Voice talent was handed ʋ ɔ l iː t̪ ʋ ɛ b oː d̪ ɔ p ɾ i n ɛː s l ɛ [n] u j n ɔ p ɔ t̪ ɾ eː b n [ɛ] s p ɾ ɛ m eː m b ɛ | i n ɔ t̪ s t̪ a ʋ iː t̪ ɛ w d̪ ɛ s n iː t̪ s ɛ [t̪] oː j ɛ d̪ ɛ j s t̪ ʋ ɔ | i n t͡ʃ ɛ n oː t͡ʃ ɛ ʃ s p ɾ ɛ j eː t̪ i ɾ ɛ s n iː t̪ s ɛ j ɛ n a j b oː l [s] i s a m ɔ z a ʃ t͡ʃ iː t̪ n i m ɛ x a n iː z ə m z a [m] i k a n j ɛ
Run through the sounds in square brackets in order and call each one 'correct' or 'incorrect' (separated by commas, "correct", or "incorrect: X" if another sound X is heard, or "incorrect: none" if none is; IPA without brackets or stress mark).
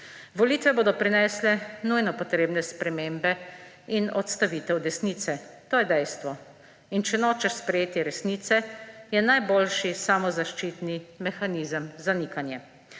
correct, correct, correct, incorrect: ʃ, incorrect: n